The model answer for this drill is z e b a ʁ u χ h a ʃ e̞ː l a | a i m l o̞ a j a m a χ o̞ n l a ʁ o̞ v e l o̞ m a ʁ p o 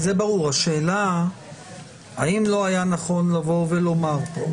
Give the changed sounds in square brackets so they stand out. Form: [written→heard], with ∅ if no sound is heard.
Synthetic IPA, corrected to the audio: z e b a ʁ u [χ→ʁ] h a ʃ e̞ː l a | a i m l o̞ a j a [m→n] a χ o̞ n l a [ʁ→v] o̞ v e l o̞ m a ʁ p o